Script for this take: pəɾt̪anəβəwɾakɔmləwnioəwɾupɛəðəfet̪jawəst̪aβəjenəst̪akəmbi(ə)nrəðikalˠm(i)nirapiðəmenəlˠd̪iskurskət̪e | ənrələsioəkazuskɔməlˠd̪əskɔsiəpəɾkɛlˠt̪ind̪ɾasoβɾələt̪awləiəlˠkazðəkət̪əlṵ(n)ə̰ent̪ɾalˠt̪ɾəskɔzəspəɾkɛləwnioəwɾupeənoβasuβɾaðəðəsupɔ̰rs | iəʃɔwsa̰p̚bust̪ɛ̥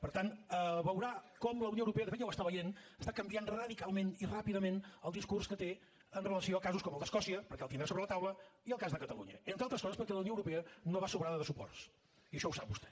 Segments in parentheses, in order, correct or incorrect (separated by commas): incorrect, incorrect, incorrect